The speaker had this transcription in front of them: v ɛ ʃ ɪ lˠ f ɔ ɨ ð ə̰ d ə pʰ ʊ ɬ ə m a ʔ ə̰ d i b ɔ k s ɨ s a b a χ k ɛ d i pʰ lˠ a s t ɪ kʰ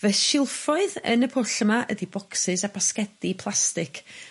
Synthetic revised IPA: v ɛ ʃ ɪ lˠ f ɔ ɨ ð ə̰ n ə pʰ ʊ ɬ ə m a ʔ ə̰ d i b ɔ k s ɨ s a b a s k ɛ d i pʰ lˠ a s t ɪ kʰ